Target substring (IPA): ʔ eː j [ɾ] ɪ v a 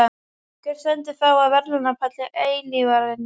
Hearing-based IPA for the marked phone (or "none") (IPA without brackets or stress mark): l